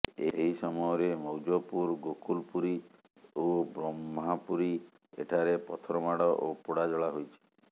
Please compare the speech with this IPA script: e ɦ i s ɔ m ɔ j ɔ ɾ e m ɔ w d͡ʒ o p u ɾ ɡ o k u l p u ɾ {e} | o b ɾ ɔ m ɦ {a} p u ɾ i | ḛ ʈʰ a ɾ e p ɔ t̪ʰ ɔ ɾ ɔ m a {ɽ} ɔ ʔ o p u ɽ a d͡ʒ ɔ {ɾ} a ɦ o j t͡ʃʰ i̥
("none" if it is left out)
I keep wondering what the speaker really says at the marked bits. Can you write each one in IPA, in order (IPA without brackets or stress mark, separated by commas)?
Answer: i, a, ɽ, ɭ